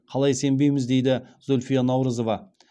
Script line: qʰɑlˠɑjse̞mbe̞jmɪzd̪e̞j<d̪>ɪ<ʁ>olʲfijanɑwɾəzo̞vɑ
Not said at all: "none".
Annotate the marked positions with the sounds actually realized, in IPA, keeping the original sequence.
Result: d̪, z

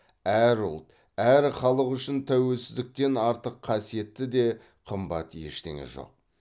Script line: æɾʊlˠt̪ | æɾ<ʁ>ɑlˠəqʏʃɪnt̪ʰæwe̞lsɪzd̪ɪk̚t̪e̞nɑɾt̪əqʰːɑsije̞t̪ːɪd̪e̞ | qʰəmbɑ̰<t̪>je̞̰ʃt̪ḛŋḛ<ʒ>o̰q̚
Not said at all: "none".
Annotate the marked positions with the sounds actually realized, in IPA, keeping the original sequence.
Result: χ, t̪, ʒ

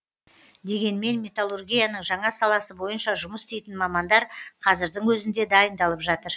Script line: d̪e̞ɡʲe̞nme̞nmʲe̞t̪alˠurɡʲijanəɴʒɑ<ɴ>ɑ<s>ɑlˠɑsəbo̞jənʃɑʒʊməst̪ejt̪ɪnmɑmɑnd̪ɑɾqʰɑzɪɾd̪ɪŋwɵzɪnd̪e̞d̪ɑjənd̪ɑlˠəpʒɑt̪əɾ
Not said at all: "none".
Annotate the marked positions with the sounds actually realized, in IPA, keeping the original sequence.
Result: ɴ, s

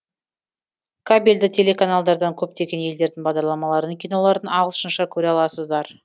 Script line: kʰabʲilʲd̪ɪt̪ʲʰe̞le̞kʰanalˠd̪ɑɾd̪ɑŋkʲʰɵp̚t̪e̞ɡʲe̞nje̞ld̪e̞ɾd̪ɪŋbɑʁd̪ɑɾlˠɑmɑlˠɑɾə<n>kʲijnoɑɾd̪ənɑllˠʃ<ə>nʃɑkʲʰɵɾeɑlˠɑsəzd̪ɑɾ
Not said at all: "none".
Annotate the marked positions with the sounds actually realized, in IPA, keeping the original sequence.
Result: n, ə

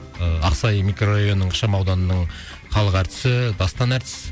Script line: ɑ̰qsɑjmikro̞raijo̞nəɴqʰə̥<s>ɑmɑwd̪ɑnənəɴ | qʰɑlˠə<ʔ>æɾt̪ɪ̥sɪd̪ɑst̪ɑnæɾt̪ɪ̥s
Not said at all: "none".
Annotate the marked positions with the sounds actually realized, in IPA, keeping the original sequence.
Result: ʃ, q

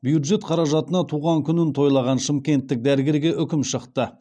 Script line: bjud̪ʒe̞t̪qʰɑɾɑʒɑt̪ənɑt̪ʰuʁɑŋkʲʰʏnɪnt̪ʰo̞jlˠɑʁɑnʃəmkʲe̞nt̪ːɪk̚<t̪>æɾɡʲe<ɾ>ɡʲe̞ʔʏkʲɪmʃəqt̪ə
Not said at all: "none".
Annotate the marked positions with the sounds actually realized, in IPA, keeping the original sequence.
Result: d̪, ɾ

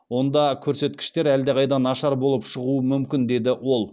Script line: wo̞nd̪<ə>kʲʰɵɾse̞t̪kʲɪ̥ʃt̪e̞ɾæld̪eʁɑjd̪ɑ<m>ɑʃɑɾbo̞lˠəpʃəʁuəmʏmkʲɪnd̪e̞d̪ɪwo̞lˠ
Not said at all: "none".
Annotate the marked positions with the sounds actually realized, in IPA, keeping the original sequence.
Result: ɑ, n

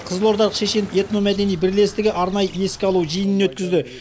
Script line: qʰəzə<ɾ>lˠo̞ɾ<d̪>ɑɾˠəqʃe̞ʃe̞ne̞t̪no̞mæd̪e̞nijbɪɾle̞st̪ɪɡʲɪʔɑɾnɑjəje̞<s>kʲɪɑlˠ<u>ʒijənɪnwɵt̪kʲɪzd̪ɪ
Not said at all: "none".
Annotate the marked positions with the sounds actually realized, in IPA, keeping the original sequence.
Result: none, d̪, s, u

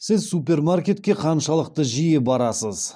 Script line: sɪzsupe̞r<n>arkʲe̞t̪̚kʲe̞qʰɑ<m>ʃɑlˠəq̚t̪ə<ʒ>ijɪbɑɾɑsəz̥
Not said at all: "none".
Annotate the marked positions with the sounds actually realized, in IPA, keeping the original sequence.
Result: m, n, ʒ

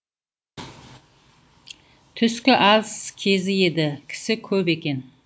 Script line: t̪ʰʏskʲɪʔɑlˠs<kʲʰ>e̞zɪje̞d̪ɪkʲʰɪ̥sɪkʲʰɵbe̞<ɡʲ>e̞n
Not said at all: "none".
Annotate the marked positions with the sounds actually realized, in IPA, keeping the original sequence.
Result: kʲʰ, kʲ

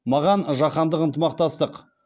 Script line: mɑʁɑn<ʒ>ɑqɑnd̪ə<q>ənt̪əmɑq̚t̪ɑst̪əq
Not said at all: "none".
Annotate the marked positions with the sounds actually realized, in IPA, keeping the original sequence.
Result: ʒ, q

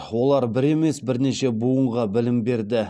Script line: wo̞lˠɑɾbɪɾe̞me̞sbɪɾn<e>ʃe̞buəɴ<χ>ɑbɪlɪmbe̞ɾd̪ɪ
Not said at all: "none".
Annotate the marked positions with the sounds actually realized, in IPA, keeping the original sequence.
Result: e, ʁ

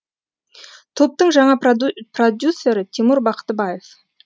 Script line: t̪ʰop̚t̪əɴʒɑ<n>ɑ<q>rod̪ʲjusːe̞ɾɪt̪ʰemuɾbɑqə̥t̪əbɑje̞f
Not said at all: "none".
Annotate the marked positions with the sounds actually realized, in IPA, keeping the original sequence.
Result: ɴ, p

